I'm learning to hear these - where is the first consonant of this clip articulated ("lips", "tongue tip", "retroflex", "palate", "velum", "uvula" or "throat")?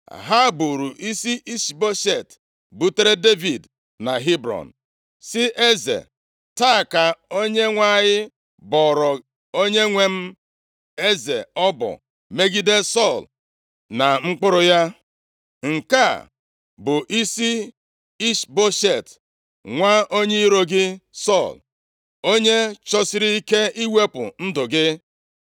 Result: throat